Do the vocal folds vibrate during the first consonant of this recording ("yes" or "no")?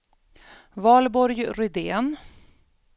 yes